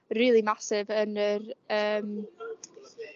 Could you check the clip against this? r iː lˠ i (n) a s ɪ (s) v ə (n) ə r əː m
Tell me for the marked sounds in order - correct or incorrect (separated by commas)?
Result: incorrect, incorrect, correct